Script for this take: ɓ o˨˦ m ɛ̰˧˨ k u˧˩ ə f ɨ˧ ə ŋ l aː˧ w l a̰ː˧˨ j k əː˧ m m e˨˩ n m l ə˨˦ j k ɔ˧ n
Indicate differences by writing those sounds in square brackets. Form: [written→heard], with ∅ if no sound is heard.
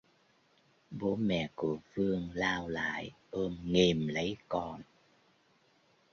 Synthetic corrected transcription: ɓ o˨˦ m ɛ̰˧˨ k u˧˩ ə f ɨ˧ ə ŋ l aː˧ w l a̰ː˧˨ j [k→ʔ] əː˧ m [m→ŋ] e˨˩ [n→∅] m l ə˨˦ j k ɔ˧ n